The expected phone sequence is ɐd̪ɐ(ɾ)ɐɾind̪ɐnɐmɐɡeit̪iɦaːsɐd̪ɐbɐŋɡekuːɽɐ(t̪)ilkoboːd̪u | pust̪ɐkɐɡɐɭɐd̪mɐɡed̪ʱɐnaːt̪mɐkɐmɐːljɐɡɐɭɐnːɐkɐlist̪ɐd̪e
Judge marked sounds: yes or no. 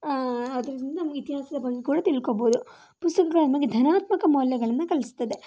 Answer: yes, yes

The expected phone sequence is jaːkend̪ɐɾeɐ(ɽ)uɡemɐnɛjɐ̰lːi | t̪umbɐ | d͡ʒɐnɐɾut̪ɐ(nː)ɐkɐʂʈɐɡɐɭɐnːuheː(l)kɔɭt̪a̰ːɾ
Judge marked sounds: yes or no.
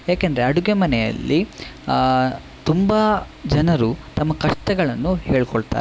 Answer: yes, no, no

